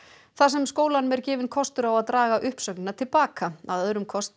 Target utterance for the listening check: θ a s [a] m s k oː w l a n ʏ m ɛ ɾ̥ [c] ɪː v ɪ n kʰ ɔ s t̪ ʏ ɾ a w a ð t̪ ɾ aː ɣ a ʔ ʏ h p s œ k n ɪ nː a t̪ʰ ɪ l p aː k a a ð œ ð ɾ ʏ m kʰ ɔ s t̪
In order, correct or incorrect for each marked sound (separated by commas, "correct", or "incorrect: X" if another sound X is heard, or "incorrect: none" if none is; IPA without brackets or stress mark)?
incorrect: ɛ, correct